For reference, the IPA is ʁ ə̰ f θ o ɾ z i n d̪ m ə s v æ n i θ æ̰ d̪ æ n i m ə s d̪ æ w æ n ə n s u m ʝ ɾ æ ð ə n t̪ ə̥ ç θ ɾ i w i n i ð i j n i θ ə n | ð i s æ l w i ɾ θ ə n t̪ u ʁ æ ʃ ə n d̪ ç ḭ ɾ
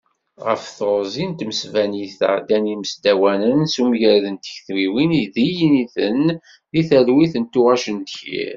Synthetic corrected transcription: ʁ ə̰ f θ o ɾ z i n t̪ m ə s v æ n i θ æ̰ d̪ æ n i m ə s d̪ æ w æ n ə n s u m ʝ ɾ æ ð ə n t̪ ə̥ ç θ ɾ i w i n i ð i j n i θ ə n | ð i θ æ l w i θ ə n t̪ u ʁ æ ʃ ə n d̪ ç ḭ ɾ